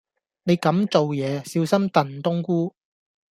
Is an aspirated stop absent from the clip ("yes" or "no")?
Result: yes